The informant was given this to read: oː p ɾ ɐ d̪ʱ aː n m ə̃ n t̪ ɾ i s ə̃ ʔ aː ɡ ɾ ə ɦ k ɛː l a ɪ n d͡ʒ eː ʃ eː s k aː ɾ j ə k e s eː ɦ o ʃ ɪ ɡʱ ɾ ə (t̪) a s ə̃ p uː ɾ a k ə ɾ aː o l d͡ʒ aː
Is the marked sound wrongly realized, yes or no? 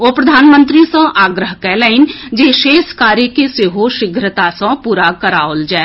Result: no